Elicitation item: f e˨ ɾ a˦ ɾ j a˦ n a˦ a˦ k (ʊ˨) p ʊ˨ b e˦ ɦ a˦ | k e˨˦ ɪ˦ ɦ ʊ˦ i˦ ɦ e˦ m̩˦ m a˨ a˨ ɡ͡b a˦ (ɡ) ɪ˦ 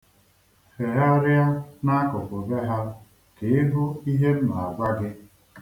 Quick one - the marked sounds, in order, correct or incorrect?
correct, correct

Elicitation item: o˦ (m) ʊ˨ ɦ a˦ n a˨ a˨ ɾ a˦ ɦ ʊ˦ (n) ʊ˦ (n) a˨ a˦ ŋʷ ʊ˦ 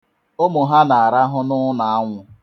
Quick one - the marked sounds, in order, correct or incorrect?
correct, correct, correct

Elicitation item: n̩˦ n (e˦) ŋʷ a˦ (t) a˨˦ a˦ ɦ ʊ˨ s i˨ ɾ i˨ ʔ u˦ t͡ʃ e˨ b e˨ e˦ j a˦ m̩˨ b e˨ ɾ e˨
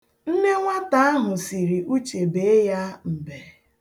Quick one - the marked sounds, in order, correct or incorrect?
correct, correct

